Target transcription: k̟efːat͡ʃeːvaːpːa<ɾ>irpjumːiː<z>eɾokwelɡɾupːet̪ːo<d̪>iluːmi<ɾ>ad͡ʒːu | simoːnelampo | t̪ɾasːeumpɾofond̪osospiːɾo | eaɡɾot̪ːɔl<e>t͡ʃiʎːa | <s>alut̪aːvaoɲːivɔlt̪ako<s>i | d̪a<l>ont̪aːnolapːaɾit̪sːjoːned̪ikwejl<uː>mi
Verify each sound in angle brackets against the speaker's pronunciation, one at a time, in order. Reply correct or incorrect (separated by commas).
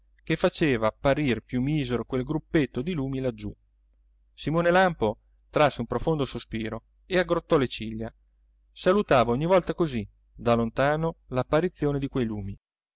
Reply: correct, correct, correct, incorrect, correct, correct, incorrect, correct, correct